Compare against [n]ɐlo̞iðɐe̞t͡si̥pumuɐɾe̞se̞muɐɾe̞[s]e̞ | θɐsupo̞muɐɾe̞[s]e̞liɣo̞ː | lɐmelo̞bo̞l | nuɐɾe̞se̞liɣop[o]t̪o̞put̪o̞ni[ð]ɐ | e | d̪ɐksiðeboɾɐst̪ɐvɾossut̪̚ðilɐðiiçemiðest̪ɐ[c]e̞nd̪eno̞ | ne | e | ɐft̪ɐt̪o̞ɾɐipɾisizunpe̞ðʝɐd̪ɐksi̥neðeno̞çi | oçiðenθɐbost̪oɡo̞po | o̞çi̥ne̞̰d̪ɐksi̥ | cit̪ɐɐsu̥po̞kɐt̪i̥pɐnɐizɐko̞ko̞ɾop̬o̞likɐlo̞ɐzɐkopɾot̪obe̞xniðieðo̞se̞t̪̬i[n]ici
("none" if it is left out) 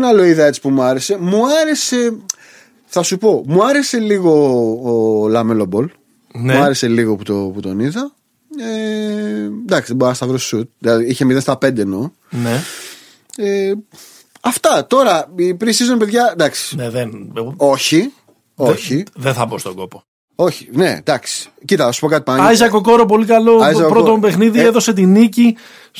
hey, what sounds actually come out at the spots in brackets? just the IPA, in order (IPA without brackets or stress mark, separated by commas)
n, s, s, u, ð, p, n